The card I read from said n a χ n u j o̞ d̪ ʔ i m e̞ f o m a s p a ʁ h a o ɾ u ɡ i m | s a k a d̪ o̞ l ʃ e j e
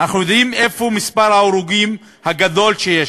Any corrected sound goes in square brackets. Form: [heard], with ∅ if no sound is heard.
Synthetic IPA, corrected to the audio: n a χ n u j o̞ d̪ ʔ i m e̞ f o m [i] s p a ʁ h a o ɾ u ɡ i m | [h] a [ɡ] a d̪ o̞ l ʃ e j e